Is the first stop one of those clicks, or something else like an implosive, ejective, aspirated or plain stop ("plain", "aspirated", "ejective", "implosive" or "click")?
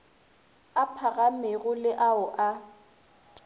aspirated